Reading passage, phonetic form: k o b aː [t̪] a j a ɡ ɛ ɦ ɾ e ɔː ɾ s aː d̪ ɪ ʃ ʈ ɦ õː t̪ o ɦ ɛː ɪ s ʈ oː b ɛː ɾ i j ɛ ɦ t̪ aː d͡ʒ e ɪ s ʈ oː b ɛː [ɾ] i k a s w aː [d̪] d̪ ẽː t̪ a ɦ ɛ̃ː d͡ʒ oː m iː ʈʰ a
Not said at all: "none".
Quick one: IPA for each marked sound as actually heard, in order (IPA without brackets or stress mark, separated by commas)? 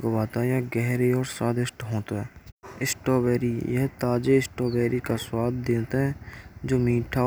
t̪, ɾ, d̪